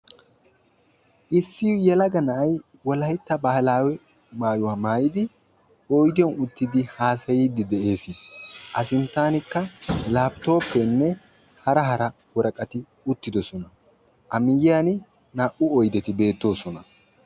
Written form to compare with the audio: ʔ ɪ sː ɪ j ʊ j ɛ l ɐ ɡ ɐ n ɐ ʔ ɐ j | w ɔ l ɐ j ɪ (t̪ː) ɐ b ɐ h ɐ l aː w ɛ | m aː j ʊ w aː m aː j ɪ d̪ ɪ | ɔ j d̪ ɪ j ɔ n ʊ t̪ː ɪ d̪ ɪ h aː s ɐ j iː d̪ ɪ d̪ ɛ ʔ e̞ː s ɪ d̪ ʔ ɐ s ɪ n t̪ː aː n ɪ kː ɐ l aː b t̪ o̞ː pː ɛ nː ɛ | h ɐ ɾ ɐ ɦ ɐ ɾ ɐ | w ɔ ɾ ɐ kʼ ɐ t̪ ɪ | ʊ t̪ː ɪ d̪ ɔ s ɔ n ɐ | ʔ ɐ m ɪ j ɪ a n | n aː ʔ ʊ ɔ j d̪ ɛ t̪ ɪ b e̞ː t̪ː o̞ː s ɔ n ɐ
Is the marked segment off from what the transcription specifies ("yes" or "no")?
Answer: no